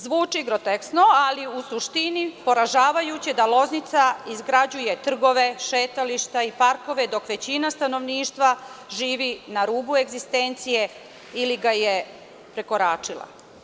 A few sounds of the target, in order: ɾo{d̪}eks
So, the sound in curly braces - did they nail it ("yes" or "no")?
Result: no